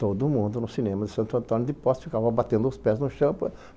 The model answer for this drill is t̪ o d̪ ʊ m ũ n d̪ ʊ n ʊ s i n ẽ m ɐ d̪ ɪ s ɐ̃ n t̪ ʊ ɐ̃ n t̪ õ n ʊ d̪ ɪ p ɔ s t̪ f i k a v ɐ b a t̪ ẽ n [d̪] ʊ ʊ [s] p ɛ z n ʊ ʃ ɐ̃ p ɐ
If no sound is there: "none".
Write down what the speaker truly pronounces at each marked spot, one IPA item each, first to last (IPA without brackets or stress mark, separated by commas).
d̪, s